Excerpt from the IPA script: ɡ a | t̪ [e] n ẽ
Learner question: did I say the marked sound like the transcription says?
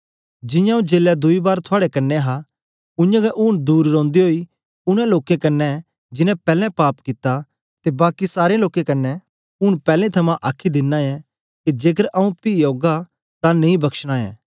no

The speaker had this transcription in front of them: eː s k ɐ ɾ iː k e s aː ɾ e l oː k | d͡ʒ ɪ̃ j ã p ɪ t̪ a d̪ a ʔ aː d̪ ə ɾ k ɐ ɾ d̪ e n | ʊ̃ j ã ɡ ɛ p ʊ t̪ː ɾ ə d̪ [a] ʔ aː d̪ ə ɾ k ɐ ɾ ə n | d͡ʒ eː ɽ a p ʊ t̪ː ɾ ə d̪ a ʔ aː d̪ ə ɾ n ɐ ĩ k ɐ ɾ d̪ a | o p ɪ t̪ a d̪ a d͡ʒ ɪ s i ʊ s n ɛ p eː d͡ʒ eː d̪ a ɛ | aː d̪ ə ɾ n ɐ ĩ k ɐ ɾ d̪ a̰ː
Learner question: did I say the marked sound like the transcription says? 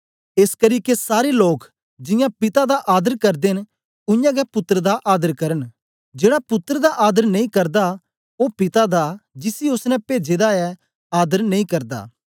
yes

